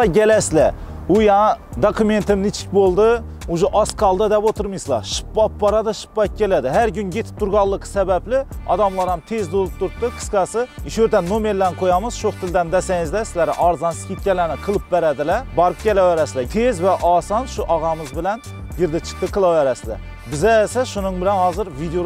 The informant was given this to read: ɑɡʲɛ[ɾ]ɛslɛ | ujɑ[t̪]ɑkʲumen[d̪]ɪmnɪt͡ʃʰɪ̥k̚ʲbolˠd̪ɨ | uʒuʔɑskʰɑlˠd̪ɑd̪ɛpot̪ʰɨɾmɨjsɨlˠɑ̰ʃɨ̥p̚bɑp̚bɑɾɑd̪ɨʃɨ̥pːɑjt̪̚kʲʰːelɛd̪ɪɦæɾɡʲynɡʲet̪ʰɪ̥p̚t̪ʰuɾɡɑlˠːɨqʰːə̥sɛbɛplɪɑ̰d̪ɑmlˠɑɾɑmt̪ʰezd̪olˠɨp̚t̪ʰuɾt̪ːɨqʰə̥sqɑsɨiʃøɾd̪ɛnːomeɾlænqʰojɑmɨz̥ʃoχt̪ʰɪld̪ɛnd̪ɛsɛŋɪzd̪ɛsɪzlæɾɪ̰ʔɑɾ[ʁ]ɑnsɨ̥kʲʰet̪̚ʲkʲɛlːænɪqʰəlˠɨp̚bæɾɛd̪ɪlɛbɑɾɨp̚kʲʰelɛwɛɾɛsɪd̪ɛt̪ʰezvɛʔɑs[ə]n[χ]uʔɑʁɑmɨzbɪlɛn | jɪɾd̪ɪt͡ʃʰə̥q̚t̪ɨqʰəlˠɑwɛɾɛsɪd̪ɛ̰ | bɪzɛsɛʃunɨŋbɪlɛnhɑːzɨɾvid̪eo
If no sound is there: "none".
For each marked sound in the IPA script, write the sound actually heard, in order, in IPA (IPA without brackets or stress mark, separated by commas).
l, d̪, t̪, z, ɑ, ʃ